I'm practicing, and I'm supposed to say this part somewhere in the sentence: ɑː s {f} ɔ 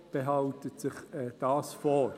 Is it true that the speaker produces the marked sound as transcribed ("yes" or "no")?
yes